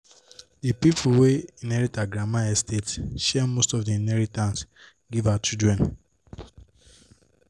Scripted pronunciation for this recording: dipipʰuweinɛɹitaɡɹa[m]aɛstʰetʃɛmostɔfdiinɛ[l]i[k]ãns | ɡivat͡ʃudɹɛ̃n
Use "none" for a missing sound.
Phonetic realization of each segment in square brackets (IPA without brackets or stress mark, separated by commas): m, ɹ, t